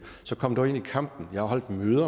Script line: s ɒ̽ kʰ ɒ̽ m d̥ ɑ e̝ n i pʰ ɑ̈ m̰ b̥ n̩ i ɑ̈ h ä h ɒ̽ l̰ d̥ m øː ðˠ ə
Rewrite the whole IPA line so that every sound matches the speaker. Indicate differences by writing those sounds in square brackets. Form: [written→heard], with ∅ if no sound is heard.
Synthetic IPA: s ɒ̽ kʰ ɒ̽ m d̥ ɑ e̝ n i [pʰ→kʰ] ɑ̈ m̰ b̥ n̩ [i→j] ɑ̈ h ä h ɒ̽ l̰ d̥ m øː ðˠ [ə→ɐ]